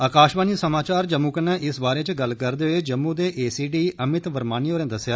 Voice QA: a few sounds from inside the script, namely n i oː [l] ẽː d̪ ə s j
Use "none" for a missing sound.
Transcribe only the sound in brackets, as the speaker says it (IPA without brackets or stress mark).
ɾ